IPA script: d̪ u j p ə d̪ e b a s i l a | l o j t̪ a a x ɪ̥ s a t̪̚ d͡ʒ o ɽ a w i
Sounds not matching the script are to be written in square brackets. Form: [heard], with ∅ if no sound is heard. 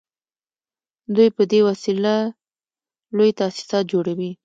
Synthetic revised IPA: d̪ u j p ə d̪ e [w] a s i l a | l o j t̪ a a [s] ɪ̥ s [ɑ] t̪̚ d͡ʒ o ɽ a w i

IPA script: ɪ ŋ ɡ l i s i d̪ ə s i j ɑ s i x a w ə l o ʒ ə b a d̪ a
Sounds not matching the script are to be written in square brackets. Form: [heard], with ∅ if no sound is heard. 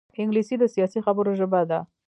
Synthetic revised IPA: ɪ ŋ ɡ l i s i d̪ ə s i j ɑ s i x a [b] ə [ɾ] o ʒ ə b a d̪ a

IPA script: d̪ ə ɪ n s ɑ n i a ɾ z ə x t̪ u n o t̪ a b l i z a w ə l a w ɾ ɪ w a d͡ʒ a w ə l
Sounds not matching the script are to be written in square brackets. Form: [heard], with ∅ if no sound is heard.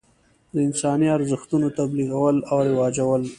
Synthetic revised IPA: d̪ ə ɪ n s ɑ n i a ɾ z ə x t̪ u n o t̪ a b l i [ɣ] a w ə l a w ɾ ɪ w [ɑ] d͡ʒ a w ə l

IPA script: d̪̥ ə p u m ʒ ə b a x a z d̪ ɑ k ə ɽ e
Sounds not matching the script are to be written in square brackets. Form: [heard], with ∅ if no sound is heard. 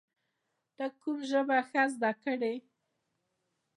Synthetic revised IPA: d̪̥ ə [k] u m ʒ ə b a x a z d̪ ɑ k ə ɽ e

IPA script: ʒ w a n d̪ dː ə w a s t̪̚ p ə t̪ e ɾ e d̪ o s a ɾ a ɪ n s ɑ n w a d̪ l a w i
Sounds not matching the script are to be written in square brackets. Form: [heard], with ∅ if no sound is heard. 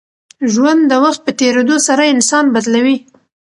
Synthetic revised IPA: ʒ w a n d̪ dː ə w a [x] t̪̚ p ə t̪ e ɾ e d̪ o s a ɾ a ɪ n s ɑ n [b] a d̪ l a w i

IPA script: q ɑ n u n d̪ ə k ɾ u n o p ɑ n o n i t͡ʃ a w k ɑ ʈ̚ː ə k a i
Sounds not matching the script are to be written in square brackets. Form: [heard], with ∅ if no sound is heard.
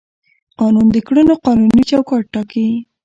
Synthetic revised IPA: q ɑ n u n d̪ ə k [ɽ] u n o [q] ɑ n [u] n i t͡ʃ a w k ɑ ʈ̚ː [ɑ] k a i

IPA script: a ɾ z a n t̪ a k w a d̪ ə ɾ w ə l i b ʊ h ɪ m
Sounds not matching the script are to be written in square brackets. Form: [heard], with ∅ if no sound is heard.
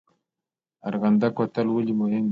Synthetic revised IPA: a ɾ [ɣ] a n [d̪] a k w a [t̪] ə [l] w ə l i [m] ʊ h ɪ m

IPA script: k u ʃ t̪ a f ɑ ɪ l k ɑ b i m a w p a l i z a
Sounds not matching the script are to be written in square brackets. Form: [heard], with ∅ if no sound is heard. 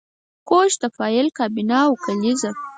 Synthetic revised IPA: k [o] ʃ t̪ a f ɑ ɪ l k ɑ b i [n] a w [k] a l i z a

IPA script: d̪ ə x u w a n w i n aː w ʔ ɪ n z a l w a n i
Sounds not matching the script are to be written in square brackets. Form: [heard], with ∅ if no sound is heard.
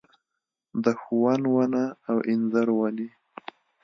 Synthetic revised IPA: d̪ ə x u w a n w [a] n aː w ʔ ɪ n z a [ɾ] w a n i

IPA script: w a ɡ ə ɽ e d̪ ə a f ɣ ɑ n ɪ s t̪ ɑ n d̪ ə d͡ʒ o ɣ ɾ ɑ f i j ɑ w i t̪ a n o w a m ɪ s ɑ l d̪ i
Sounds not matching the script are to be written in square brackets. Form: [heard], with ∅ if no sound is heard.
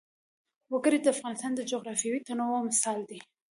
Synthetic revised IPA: w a ɡ ə [ɾ] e d̪ ə a f ɣ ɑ n ɪ s t̪ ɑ n d̪ ə d͡ʒ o ɣ ɾ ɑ f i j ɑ w i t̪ a n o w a m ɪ s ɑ l d̪ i

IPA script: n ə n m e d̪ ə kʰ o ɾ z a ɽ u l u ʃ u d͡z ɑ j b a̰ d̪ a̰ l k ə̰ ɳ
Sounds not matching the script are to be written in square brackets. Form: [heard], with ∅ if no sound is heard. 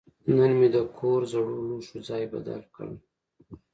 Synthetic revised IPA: n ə n m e d̪ ə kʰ o ɾ z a ɽ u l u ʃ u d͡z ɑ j b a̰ d̪ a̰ l k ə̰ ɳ

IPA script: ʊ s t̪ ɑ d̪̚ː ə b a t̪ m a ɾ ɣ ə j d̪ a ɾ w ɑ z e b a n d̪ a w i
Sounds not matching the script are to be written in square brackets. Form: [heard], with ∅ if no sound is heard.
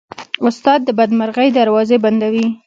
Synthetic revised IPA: ʊ s t̪ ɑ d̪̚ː ə b a [d̪] m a ɾ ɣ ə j d̪ a ɾ w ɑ z e b a n d̪ a w i

